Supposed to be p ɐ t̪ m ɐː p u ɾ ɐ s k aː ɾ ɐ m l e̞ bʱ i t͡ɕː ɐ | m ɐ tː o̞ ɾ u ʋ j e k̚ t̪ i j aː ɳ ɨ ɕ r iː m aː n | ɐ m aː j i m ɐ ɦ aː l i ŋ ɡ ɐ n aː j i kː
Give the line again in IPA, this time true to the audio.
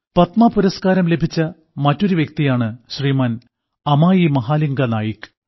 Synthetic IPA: p ɐ t̪ m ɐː p u ɾ ɐ s k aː ɾ ɐ m l e̞ bʱ i t͡ɕː ɐ | m ɐ tː o̞ ɾ u ʋ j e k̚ t̪ i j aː ɳ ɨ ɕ r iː m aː n | ɐ m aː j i m ɐ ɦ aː l i ŋ ɡ ɐ n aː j i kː